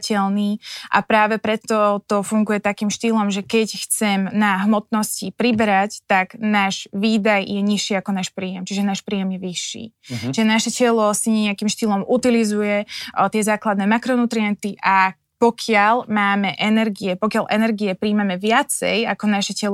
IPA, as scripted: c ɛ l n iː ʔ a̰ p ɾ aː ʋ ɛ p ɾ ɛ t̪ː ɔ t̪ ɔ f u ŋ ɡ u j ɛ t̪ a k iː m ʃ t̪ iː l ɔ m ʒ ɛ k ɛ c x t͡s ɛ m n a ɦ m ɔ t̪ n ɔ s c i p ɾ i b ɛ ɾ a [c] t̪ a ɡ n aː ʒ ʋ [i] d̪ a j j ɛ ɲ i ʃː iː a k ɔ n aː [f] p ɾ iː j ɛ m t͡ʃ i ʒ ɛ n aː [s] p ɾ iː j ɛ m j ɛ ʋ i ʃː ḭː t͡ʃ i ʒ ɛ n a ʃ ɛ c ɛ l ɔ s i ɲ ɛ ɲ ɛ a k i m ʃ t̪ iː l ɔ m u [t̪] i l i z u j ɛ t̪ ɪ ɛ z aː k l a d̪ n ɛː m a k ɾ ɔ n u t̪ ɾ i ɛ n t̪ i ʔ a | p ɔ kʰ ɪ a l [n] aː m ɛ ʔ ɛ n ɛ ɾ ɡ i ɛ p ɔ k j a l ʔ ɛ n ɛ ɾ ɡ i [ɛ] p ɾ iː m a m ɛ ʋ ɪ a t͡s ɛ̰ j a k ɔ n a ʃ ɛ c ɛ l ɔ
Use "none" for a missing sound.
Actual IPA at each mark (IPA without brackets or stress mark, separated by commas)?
c, iː, ʃ, ʃ, t̪, m, ɛ